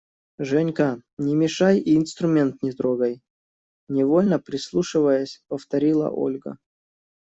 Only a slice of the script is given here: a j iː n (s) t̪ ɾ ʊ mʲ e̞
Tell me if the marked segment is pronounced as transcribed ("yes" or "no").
yes